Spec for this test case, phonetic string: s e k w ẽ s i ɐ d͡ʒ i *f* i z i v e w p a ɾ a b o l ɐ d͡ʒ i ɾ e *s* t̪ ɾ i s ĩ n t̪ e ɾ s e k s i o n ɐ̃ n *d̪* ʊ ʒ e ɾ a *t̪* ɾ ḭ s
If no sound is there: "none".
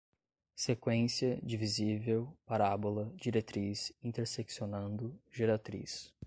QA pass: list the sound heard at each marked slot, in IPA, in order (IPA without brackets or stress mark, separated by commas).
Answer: v, none, d̪, t̪